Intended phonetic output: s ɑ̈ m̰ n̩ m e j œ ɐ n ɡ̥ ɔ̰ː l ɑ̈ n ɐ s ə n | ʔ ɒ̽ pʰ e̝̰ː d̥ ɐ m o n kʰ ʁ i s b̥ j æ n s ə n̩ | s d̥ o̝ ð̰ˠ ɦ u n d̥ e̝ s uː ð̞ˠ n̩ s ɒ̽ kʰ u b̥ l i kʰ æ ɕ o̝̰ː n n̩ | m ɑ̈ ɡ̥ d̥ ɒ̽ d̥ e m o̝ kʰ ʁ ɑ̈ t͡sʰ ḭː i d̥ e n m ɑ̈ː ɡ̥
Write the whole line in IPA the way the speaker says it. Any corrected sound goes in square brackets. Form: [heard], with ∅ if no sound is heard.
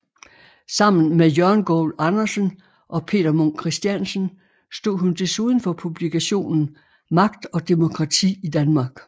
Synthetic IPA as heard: s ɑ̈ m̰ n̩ m e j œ ɐ n ɡ̥ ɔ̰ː l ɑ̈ n ɐ s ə n | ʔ ɒ̽ pʰ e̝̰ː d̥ ɐ m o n kʰ ʁ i s [d̥] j æ n s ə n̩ | s d̥ o̝ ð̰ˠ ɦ u n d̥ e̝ s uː ð̞ˠ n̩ [f] ɒ̽ [pʰ] u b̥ l i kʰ æ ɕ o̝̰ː n n̩ | m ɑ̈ ɡ̥ d̥ ɒ̽ d̥ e m o̝ kʰ ʁ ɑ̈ t͡sʰ ḭː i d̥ [æ] n m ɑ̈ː ɡ̥